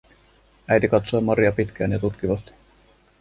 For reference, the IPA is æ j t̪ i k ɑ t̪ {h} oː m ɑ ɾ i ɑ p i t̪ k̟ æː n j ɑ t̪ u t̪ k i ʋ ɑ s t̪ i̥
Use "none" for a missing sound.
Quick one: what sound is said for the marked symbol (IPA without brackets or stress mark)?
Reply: s